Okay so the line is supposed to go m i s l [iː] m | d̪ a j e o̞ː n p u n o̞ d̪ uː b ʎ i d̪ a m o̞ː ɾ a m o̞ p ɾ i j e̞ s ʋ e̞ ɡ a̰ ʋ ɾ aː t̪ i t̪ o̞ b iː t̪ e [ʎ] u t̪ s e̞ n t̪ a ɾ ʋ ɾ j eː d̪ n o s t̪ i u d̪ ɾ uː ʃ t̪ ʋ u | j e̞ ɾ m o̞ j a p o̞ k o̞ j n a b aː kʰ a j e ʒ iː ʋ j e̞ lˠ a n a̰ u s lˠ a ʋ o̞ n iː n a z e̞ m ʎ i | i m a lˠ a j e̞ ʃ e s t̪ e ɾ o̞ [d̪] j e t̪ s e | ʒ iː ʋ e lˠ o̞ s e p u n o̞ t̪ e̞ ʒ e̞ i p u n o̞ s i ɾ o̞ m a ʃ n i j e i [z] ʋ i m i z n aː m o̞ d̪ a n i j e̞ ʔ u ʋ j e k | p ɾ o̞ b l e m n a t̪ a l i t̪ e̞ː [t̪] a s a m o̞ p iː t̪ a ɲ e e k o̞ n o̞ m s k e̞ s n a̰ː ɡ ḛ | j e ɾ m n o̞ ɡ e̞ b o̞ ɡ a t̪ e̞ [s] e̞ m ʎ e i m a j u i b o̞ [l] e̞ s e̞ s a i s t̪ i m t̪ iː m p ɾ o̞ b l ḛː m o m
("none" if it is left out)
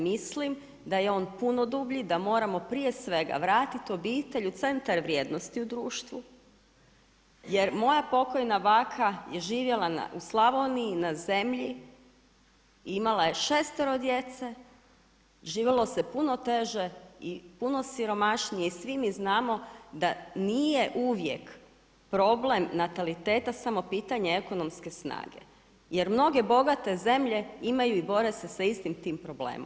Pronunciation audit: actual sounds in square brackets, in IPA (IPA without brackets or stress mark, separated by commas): i, ʎ, d̪, s, t̪, z, ɾ